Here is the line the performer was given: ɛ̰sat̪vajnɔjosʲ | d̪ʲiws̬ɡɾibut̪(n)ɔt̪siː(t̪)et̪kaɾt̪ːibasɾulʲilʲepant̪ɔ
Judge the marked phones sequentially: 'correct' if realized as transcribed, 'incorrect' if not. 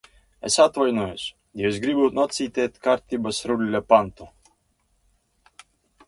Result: correct, correct

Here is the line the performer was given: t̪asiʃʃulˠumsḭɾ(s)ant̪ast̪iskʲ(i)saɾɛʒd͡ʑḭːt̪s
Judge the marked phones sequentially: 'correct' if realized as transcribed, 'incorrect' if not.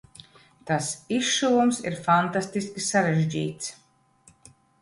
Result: incorrect: f, correct

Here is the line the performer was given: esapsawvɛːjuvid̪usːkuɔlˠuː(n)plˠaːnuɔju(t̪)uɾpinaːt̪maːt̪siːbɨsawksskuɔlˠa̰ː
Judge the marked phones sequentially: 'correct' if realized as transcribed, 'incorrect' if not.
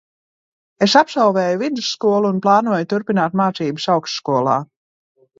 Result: correct, correct

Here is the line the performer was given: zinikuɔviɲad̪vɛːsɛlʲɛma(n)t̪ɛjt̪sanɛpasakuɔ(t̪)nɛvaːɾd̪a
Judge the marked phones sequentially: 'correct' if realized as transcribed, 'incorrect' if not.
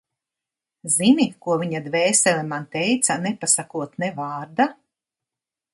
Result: correct, correct

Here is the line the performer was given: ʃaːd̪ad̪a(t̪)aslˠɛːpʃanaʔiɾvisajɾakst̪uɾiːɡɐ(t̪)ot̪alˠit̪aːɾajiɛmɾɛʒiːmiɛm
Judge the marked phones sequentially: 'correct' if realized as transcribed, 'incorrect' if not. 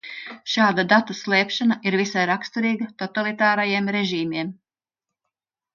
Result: correct, correct

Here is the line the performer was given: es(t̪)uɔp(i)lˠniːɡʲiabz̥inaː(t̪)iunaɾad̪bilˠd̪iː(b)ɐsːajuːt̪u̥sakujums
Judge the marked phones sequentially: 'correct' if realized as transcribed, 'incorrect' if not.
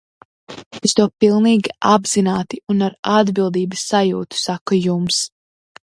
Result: correct, correct, correct, correct

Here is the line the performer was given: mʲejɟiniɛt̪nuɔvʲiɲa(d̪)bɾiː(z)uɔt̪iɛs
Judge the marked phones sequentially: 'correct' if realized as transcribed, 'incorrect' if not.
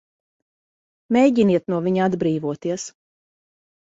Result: correct, incorrect: v

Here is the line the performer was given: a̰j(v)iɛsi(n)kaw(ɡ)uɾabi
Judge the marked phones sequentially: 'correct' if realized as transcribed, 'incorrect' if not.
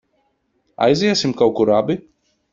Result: incorrect: z, incorrect: m, incorrect: k

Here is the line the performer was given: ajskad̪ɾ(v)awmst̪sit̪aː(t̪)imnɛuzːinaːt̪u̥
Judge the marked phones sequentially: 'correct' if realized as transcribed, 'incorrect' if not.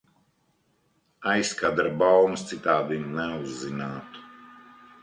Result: incorrect: b, incorrect: d̪

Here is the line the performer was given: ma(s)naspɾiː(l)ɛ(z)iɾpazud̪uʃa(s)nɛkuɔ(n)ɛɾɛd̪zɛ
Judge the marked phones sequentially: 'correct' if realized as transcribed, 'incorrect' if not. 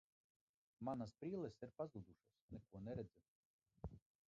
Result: incorrect: none, correct, incorrect: s, correct, correct

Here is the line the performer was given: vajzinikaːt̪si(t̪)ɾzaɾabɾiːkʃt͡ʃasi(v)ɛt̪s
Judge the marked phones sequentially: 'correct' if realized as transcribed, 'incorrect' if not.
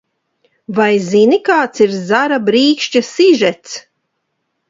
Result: incorrect: none, incorrect: ʒ

